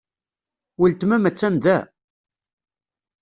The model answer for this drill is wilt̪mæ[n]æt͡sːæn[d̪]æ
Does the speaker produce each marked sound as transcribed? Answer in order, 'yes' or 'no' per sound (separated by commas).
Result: no, yes